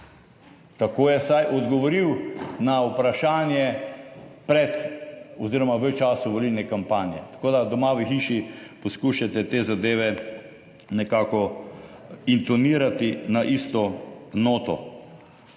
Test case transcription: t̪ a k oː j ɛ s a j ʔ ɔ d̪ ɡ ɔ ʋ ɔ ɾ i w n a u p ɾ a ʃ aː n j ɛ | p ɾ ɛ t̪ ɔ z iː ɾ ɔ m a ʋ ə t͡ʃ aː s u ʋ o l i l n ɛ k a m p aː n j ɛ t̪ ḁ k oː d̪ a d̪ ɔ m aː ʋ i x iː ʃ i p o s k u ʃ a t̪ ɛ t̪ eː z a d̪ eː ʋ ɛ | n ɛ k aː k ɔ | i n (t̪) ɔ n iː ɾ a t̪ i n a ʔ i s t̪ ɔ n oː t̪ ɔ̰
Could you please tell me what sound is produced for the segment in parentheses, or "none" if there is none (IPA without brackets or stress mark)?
t̪